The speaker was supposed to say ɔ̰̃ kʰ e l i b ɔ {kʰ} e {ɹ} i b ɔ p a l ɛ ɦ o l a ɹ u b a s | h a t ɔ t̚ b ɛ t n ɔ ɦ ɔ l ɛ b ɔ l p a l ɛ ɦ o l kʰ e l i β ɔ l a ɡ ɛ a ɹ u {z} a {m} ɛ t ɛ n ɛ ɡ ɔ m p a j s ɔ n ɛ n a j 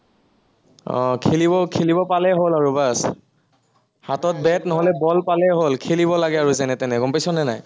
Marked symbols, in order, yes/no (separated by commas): yes, no, yes, no